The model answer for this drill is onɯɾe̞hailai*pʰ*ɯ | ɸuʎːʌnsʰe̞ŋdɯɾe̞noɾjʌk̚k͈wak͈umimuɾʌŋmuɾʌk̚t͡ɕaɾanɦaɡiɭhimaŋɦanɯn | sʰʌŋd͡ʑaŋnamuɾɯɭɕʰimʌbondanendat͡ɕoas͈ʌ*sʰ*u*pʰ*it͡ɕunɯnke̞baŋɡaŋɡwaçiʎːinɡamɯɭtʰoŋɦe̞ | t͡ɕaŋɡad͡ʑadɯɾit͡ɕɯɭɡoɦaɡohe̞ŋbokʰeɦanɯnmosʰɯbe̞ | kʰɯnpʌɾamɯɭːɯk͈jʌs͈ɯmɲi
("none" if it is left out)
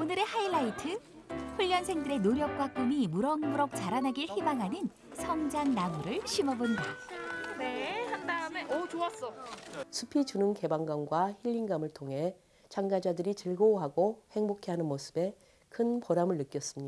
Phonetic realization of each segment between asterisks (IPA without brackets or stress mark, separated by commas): tʰ, sʰ, pʰ